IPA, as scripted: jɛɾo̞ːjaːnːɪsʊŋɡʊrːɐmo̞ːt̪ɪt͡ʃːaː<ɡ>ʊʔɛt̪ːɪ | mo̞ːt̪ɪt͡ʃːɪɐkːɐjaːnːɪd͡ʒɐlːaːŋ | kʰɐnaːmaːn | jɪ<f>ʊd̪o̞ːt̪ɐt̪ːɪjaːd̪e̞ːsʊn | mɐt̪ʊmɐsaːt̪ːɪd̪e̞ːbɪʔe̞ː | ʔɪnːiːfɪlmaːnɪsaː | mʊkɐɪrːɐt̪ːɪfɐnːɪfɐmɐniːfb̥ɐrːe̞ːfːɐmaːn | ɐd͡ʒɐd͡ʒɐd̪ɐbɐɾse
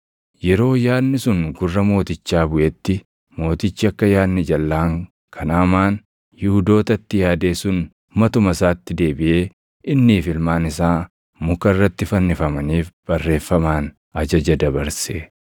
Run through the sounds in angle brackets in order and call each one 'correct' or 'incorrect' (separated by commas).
incorrect, incorrect